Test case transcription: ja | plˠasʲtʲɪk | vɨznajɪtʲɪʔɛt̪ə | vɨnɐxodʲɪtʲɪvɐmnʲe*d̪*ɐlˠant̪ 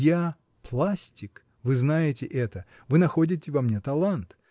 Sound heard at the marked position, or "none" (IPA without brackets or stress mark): t̪